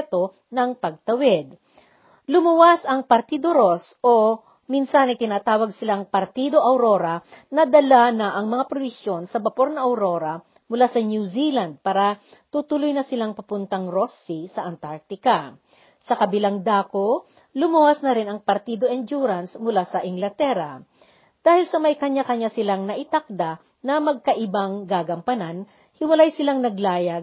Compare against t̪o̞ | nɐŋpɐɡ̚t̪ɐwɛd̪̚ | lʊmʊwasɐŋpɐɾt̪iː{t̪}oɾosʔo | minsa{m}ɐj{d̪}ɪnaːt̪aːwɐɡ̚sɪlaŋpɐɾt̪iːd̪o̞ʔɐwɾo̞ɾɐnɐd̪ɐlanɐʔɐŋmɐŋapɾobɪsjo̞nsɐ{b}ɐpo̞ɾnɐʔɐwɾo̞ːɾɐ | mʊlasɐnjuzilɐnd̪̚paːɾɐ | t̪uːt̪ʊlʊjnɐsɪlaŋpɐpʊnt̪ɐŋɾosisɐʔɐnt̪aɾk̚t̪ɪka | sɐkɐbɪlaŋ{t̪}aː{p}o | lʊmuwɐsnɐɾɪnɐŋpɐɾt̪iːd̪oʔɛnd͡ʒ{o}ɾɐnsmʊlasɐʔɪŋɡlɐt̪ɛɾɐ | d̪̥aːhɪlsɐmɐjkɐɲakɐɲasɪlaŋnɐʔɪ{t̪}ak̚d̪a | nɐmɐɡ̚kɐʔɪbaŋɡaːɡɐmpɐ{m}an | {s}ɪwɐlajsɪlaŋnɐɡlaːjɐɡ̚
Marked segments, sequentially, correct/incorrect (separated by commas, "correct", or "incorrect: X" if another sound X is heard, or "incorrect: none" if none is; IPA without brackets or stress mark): incorrect: d̪, incorrect: n, incorrect: t̪, correct, incorrect: d̪, incorrect: k, incorrect: u, correct, incorrect: n, incorrect: h